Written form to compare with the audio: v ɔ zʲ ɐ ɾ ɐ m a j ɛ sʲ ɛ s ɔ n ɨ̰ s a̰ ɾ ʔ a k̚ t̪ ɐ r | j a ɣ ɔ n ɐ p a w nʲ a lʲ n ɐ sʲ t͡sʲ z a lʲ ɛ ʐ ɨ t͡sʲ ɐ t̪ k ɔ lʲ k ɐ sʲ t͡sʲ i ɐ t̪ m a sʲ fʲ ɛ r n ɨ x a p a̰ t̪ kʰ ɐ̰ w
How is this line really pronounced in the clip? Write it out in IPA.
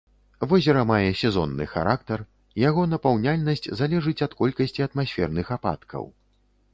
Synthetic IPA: v ɔ zʲ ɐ ɾ ɐ m a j ɛ sʲ ɛ z ɔ nː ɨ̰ x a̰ ɾ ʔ a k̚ t̪ ɐ r | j a ɣ ɔ n ɐ p a w nʲ a lʲ n ɐ sʲ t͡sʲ z a lʲ ɛ ʐ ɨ t͡sʲ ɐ t̪ k ɔ lʲ k ɐ sʲ t͡sʲ i ɐ t̪ m a sʲ fʲ ɛ r n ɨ x a p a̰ t̪ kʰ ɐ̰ w